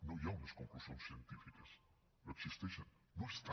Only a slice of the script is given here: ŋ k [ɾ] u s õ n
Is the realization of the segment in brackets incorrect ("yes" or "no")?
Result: yes